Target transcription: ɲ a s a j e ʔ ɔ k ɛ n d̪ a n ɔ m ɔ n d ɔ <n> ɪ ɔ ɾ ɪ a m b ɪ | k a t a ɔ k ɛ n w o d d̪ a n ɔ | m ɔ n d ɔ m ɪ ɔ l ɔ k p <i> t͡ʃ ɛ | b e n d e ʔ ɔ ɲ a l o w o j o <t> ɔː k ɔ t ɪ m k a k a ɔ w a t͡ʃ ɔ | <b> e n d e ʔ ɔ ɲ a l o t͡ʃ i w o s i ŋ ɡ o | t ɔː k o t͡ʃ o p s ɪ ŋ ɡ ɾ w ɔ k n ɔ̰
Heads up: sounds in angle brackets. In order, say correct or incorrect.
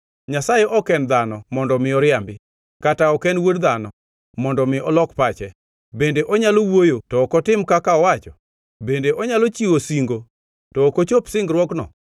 incorrect: m, incorrect: a, correct, correct

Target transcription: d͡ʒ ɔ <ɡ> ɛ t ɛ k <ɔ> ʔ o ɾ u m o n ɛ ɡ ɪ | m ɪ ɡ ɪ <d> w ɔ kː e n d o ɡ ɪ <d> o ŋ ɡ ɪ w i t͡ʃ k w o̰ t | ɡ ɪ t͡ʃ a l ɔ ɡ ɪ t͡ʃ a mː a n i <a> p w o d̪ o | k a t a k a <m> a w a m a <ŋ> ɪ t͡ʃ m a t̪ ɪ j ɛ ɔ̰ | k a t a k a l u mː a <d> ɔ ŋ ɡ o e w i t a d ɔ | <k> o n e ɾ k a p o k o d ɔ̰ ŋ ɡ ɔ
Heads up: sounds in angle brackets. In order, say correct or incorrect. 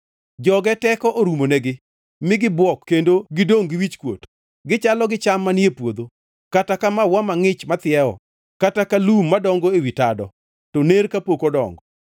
correct, correct, incorrect: b, correct, incorrect: e, correct, correct, correct, incorrect: t

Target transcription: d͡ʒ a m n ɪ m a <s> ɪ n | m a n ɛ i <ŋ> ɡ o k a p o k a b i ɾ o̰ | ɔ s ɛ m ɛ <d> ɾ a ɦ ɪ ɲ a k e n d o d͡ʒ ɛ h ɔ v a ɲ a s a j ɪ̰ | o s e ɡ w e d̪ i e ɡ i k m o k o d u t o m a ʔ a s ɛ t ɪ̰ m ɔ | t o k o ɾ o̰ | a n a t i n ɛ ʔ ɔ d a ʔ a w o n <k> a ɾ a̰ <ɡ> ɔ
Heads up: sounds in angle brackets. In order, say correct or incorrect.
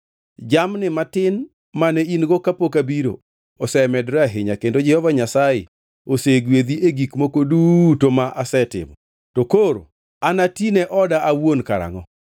incorrect: t, incorrect: n, correct, correct, incorrect: ŋ

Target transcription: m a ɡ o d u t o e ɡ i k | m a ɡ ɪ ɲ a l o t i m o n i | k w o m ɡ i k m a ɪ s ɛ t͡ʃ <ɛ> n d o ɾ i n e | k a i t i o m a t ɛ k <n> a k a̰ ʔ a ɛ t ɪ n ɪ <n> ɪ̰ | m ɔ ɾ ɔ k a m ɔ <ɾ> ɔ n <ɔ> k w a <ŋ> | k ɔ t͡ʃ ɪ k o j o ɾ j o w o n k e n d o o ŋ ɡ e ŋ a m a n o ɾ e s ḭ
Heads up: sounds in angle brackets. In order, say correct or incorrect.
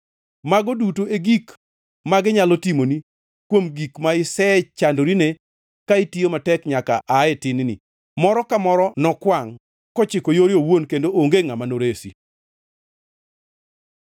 incorrect: a, incorrect: ɲ, correct, correct, correct, correct

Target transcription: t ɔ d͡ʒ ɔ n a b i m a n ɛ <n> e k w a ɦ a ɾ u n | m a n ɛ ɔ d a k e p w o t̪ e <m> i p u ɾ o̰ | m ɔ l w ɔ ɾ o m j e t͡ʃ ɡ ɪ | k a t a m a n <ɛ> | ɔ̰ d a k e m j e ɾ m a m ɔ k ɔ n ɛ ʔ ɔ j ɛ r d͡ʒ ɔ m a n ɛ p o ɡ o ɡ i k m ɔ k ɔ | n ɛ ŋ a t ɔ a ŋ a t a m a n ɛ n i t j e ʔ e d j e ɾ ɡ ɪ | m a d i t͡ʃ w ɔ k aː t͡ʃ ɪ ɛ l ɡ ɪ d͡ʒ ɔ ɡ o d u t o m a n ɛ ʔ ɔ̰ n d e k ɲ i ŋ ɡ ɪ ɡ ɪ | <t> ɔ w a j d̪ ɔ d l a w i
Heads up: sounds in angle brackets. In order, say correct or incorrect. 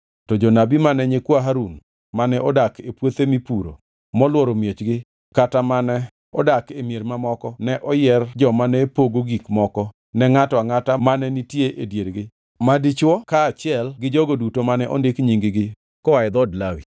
incorrect: ɲ, correct, correct, incorrect: k

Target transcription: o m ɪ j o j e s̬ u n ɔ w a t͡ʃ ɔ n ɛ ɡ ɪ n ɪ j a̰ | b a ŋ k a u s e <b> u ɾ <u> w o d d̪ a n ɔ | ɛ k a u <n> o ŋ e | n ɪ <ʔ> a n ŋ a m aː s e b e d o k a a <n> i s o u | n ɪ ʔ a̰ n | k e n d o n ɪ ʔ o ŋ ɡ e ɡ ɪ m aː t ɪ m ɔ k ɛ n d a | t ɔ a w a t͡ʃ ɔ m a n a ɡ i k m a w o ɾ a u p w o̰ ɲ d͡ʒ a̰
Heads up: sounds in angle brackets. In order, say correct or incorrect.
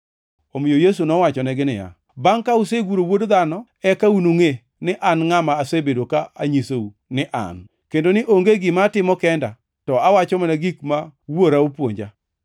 incorrect: ɡ, incorrect: o, correct, correct, incorrect: ɲ

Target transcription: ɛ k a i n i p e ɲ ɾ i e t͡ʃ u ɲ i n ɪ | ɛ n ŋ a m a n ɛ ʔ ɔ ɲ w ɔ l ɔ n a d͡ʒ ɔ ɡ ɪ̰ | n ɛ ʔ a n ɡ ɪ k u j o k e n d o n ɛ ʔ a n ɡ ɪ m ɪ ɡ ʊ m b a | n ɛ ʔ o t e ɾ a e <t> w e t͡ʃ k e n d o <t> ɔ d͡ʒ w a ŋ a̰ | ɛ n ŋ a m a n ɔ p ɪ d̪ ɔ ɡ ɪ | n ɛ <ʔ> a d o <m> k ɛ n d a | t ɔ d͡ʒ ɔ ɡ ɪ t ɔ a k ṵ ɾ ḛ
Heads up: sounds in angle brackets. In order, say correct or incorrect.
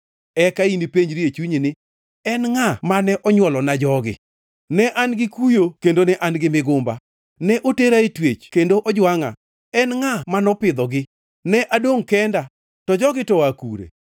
correct, incorrect: ʔ, correct, incorrect: ŋ

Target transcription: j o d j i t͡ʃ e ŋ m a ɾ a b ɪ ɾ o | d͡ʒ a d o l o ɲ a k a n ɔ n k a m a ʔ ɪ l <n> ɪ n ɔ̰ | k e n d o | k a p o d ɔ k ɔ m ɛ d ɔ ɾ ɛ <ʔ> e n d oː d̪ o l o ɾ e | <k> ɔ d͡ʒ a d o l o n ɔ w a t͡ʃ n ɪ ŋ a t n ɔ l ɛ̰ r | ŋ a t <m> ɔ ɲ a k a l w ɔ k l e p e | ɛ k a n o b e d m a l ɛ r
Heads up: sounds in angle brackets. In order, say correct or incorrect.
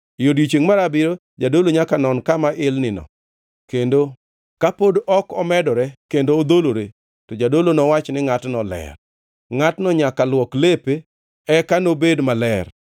correct, incorrect: k, incorrect: t, incorrect: n

